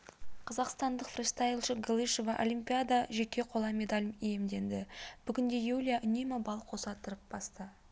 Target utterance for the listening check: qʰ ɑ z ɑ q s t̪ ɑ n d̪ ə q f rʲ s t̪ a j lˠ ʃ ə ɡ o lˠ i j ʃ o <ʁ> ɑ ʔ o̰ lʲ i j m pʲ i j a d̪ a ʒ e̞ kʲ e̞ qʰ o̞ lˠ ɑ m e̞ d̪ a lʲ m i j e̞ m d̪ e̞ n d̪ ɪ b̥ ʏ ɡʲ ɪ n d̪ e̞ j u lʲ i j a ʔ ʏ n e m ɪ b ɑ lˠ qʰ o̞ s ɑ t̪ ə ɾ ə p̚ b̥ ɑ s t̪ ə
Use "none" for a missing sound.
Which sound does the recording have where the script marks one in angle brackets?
v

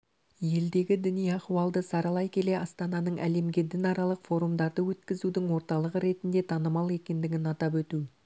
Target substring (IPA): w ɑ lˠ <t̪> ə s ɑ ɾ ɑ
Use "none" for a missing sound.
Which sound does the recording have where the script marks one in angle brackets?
d̪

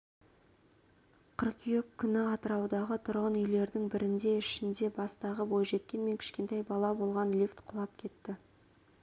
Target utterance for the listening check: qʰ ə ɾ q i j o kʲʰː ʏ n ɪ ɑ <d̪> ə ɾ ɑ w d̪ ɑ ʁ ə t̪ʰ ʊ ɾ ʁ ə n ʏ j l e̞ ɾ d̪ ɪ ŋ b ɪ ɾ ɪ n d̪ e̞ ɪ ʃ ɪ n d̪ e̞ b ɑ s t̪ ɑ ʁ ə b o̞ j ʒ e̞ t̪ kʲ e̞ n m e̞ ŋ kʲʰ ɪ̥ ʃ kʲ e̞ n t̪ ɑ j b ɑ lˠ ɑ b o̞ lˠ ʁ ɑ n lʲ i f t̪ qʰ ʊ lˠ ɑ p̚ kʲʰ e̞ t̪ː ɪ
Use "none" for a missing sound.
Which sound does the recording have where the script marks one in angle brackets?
t̪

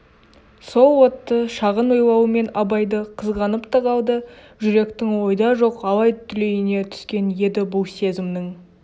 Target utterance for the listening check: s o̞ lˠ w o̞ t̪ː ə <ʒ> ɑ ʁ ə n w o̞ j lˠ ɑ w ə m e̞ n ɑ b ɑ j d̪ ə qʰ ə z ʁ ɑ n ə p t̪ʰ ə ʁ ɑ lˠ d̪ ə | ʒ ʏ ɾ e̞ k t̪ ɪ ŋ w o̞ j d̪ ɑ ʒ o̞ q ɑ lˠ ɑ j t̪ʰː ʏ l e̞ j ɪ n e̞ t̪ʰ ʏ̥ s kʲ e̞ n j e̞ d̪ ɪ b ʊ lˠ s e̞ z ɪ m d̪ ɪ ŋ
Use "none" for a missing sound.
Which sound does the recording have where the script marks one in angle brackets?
ʃ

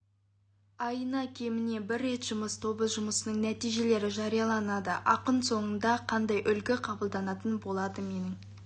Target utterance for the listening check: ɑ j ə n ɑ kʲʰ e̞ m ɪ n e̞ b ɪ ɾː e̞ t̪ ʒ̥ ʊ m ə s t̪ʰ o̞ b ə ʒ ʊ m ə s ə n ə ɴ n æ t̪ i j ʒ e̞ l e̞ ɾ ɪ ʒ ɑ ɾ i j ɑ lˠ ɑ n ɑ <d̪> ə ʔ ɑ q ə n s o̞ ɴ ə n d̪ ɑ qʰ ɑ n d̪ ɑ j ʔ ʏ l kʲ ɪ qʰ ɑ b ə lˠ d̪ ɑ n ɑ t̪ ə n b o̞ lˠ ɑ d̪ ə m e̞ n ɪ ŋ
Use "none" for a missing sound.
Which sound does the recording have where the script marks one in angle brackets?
d̪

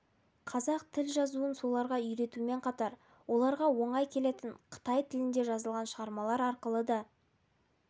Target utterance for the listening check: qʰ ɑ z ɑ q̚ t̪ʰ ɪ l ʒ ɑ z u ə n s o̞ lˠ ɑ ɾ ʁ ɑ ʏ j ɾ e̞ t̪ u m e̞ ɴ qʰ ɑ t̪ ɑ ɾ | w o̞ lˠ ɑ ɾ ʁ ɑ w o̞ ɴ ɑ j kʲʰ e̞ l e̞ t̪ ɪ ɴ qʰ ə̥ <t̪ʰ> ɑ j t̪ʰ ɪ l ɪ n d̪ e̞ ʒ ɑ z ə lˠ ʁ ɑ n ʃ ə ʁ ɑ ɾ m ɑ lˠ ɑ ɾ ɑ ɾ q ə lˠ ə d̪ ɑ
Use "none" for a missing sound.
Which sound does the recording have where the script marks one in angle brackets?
t̪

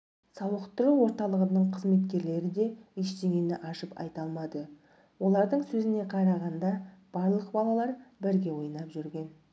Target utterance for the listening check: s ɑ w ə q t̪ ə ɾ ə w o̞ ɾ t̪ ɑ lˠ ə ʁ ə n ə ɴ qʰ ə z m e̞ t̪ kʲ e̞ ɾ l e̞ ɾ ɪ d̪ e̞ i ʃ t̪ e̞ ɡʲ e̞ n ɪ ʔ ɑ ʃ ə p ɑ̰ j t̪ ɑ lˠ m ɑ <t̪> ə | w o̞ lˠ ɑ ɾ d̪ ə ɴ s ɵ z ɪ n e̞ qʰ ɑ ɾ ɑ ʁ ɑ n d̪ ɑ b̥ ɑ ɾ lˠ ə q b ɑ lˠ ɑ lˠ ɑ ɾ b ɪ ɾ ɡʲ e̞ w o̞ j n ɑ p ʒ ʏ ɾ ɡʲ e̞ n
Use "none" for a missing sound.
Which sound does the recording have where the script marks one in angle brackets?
d̪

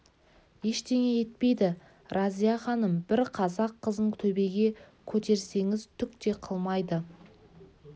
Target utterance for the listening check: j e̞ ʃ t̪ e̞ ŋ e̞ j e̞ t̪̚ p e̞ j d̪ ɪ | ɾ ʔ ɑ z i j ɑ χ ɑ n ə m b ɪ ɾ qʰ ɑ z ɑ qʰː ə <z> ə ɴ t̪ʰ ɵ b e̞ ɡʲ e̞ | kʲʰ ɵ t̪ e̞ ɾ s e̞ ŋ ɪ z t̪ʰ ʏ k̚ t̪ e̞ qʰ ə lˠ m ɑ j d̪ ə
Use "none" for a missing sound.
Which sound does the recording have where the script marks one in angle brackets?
z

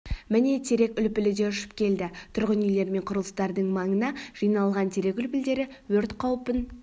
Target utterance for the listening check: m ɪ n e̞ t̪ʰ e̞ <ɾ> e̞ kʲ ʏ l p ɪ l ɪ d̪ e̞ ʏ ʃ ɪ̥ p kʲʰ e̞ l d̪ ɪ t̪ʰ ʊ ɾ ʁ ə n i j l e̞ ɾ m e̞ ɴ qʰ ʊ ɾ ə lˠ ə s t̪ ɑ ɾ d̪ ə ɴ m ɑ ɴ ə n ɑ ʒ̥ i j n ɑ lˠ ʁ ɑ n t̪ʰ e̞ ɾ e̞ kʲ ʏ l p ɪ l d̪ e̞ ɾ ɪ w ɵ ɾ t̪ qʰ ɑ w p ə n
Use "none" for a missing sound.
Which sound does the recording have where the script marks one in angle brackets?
ɾ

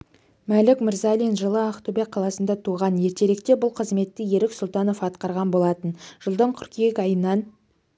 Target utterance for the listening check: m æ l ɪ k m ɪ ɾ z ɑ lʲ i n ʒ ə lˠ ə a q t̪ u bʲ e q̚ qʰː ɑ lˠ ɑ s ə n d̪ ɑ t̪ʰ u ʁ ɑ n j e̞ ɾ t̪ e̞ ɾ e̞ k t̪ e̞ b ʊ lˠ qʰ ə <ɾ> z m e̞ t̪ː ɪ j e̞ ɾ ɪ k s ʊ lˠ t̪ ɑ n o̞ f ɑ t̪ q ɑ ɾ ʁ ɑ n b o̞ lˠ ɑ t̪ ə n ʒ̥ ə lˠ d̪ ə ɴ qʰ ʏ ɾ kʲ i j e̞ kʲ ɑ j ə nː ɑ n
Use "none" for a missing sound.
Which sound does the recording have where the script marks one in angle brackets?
none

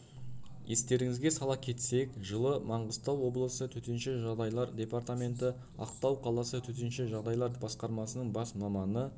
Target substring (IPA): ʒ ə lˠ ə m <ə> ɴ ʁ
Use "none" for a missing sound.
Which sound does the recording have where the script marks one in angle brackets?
ɑ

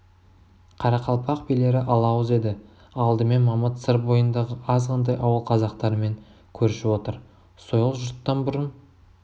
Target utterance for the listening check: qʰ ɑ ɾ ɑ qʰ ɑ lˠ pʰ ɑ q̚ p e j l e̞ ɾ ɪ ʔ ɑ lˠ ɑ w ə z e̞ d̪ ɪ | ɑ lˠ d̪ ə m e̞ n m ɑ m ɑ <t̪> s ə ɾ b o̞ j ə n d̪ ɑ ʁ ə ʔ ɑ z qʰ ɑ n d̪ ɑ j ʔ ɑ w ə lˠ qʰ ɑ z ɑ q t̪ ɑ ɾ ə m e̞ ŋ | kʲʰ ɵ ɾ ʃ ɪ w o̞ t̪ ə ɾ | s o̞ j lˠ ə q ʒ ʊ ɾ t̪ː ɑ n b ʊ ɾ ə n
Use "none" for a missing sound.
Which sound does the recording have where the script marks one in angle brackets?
t̪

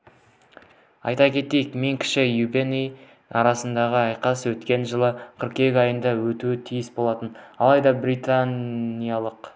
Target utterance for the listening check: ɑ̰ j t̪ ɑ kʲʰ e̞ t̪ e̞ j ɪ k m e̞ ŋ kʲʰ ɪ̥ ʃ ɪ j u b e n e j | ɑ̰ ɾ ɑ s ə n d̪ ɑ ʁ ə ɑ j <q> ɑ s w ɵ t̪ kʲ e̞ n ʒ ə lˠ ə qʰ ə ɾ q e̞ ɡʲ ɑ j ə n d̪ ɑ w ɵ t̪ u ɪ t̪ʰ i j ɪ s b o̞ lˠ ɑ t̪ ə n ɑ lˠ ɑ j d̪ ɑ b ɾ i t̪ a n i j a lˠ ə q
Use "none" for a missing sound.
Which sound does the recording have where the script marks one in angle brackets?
q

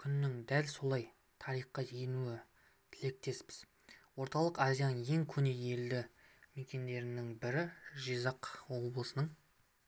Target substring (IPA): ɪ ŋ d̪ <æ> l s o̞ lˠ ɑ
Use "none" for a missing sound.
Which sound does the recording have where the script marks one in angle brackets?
æ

